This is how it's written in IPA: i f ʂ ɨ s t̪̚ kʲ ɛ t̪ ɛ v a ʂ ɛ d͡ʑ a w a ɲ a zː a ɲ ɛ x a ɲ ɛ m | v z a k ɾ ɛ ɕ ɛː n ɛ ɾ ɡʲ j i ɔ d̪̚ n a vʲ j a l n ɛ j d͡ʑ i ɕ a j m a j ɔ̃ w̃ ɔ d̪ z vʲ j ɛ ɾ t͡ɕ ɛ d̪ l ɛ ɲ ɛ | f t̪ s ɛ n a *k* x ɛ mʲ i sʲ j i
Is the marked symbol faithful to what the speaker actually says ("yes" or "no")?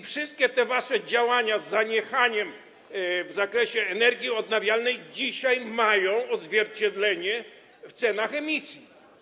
no